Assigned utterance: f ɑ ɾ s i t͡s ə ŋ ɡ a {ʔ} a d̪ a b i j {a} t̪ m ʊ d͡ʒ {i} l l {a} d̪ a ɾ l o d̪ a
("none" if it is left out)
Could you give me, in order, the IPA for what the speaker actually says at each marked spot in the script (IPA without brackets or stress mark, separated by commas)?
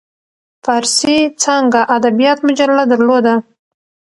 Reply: ʔ, ɑ, a, a